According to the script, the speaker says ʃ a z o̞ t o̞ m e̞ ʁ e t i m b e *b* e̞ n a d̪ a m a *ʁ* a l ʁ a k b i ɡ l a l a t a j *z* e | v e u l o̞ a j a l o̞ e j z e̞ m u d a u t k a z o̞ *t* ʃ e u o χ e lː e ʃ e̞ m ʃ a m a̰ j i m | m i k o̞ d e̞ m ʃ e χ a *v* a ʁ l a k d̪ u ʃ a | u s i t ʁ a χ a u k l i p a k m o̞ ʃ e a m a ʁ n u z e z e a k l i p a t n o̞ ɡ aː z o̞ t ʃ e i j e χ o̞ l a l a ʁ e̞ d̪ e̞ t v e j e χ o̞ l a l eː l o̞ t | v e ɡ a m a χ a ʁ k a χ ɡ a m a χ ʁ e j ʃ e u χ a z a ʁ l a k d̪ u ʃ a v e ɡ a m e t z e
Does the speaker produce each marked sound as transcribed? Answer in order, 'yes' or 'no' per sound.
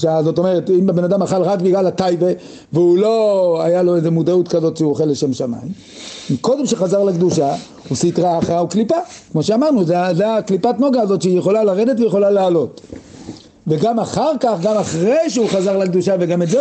yes, no, no, yes, no

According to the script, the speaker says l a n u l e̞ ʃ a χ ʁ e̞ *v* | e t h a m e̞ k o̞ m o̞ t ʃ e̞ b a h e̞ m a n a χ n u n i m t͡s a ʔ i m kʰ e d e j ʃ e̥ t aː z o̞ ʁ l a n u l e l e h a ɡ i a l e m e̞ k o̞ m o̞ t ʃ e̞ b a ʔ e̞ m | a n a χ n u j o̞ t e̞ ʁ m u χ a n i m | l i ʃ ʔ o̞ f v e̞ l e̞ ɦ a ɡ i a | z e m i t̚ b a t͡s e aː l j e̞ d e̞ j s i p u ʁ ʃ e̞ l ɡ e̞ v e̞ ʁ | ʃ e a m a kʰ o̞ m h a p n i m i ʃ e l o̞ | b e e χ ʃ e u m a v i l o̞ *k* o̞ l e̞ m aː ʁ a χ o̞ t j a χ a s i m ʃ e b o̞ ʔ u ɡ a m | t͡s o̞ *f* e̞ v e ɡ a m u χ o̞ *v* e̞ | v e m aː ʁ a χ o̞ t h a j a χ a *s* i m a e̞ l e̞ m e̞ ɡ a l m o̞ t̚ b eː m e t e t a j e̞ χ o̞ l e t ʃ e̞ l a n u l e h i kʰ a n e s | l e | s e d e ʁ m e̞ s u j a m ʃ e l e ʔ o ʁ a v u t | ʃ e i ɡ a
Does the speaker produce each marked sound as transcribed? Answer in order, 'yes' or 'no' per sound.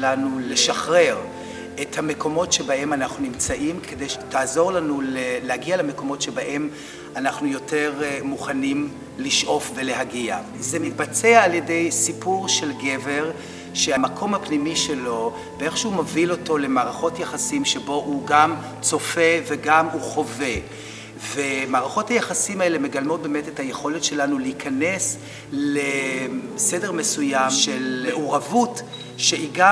no, no, yes, yes, yes

